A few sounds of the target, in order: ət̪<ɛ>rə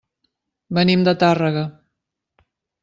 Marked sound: incorrect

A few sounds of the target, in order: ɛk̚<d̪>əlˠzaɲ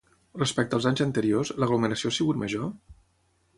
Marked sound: incorrect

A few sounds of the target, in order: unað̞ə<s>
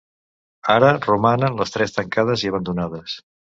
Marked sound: correct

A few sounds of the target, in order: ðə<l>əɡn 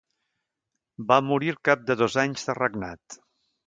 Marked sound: incorrect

